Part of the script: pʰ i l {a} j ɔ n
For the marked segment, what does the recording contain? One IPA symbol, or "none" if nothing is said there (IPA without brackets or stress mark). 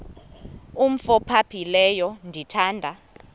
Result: ɛ